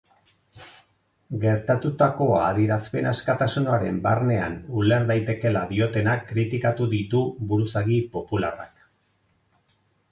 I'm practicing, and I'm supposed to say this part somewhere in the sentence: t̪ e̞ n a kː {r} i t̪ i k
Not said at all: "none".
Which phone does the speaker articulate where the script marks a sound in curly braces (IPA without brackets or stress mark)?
ɾ